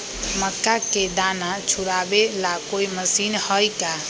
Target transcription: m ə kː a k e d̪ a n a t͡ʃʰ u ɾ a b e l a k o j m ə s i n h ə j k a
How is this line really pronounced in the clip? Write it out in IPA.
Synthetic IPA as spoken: m ə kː a k e d̪ a n a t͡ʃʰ u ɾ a b e l a k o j m ə s i n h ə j k a